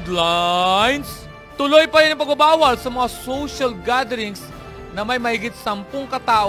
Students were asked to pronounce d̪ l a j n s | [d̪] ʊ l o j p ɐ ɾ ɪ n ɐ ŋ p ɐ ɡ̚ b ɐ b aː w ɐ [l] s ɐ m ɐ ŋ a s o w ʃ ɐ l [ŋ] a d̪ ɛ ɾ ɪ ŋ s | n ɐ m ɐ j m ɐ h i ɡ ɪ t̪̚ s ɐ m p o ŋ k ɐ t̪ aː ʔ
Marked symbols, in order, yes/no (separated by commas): no, yes, no